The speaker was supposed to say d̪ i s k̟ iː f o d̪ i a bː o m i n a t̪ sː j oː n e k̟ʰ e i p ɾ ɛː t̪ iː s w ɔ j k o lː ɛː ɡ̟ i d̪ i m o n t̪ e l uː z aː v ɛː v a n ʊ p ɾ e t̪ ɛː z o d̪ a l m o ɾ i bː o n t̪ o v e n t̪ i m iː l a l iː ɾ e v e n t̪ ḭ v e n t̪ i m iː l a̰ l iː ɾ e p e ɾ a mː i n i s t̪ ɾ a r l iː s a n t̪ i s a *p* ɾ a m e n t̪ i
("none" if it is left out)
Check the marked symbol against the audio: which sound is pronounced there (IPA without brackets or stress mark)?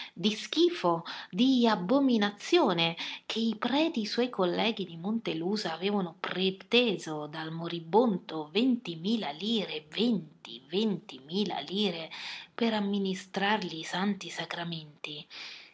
k